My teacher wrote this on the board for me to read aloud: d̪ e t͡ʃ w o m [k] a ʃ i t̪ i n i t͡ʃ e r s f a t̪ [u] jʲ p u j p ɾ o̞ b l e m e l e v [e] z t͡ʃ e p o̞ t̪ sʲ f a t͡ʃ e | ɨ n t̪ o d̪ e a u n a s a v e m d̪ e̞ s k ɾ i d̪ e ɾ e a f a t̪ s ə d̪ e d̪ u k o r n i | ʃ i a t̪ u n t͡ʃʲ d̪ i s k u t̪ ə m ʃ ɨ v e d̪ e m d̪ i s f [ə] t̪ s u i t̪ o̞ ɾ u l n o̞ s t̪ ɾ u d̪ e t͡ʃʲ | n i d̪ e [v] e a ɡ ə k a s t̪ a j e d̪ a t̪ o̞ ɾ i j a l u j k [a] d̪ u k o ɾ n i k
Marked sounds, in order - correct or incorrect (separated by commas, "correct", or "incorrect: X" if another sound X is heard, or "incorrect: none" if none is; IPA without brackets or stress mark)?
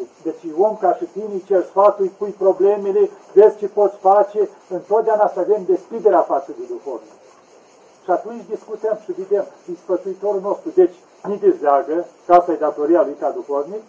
correct, correct, correct, correct, incorrect: z, correct